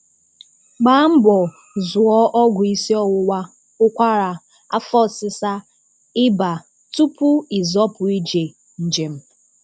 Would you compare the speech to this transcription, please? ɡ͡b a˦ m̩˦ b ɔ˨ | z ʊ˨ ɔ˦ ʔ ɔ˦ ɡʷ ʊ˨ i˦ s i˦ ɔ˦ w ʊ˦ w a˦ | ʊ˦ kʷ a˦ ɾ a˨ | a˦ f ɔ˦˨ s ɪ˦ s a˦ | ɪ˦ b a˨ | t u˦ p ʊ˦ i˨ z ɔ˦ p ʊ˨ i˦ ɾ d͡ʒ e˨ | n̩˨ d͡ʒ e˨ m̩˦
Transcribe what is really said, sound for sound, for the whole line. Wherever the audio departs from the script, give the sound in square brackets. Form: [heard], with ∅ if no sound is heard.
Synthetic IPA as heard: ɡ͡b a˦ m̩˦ b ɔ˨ | z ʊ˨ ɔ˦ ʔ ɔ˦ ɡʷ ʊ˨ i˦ s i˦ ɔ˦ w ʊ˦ w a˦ | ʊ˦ kʷ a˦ ɾ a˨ | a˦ f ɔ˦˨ s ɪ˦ s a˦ | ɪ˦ b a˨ | t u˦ p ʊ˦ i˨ z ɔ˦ p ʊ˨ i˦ [∅] d͡ʒ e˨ | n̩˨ d͡ʒ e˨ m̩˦

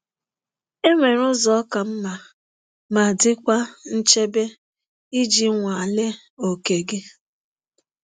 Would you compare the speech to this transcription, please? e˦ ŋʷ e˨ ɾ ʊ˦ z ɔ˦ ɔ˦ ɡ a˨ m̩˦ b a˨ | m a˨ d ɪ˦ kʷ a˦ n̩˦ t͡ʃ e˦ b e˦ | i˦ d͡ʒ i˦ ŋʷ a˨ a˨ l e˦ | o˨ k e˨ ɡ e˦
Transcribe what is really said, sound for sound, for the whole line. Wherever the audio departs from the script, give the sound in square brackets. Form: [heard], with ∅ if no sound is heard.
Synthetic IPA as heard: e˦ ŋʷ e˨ ɾ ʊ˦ z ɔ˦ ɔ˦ [k] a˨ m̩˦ [m] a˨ | m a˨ d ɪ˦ kʷ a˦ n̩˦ t͡ʃ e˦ b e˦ | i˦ d͡ʒ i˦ ŋʷ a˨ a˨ l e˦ | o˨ k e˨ ɡ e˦

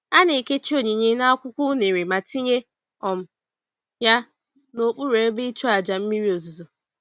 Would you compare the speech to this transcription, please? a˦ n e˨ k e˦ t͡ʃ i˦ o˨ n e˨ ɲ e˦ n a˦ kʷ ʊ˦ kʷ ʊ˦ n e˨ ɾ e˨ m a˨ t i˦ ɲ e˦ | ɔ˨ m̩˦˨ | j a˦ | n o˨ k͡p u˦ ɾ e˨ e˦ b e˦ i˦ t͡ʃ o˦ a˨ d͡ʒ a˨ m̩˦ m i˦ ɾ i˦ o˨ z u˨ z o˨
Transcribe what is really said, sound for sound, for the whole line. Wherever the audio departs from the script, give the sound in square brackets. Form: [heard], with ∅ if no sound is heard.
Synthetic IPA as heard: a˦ n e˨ k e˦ t͡ʃ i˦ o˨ [ɲ] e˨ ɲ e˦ n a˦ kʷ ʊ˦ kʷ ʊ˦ n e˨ ɾ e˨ m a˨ t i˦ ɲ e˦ | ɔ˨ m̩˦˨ | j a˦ | n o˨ k͡p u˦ ɾ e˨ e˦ b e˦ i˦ t͡ʃ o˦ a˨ d͡ʒ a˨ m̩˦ m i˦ ɾ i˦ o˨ z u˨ z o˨

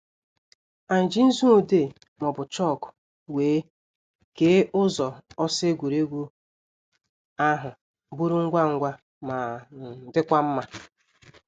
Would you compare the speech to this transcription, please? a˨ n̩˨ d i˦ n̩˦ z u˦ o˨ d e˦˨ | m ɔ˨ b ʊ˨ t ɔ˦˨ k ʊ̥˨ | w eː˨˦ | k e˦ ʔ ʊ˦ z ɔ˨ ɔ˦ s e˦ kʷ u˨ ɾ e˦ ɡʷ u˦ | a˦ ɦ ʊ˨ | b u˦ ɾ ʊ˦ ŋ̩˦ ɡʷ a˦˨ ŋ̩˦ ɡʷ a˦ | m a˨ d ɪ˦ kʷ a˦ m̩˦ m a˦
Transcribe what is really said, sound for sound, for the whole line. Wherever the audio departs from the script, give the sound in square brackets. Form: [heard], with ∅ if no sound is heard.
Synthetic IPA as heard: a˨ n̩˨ [d͡ʒ] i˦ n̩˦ z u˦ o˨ d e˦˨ | m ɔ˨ b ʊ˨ [t͡ʃ] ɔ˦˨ k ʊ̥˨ | w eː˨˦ | k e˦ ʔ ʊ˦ z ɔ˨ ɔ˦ s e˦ [ɡʷ] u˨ ɾ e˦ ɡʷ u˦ | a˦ ɦ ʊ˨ | b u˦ ɾ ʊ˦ ŋ̩˦ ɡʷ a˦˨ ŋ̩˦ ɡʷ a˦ | m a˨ d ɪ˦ kʷ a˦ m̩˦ m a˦

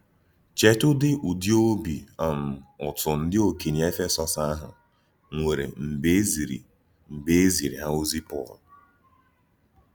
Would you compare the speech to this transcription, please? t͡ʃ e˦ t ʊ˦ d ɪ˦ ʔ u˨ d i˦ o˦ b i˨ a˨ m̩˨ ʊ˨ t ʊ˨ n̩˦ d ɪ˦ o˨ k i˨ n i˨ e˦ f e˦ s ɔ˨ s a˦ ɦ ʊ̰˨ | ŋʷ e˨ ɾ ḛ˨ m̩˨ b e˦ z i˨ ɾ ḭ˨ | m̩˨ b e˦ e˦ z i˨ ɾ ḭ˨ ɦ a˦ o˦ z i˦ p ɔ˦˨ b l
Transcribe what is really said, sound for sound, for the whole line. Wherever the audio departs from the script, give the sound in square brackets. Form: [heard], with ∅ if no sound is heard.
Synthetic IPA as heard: t͡ʃ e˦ t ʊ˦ d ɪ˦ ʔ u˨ d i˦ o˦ b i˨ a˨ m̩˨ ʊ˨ t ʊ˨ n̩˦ d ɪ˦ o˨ k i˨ n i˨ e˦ f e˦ s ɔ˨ s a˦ ɦ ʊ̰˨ | ŋʷ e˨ ɾ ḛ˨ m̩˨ b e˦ z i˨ ɾ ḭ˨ | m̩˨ b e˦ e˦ z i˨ ɾ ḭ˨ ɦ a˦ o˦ z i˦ p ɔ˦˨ [∅] l

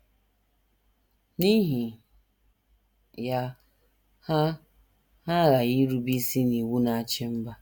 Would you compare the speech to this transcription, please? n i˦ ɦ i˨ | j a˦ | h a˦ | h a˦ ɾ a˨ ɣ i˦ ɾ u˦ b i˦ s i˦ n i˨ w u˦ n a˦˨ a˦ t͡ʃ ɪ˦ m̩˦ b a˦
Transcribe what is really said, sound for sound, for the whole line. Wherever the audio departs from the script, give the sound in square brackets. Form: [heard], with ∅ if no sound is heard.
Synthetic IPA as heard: n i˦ ɦ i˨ | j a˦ | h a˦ | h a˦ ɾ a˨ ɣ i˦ ɾ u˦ b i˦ s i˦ n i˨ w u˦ n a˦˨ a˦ t͡ʃ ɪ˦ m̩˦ b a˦

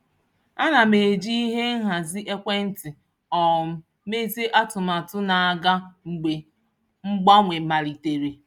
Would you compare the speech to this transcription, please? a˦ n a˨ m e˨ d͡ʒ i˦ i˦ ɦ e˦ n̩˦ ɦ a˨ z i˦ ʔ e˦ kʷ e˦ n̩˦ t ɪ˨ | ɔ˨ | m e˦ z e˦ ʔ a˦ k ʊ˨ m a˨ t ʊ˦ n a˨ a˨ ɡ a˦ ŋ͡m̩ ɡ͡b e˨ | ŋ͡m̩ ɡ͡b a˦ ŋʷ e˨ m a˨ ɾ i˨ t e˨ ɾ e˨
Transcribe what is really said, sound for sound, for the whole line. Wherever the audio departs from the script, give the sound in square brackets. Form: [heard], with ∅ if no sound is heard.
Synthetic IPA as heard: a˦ n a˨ m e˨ d͡ʒ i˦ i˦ ɦ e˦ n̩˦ ɦ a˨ z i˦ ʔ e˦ kʷ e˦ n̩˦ t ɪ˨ | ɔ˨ | m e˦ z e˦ ʔ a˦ [t] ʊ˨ m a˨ t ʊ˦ n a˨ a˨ ɡ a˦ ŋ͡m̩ ɡ͡b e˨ | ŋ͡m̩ ɡ͡b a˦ ŋʷ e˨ m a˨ ɾ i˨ t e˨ ɾ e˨

